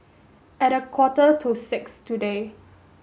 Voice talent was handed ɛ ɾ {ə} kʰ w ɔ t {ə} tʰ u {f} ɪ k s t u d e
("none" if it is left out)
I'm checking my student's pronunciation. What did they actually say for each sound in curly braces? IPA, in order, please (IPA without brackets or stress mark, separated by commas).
ə, ə, s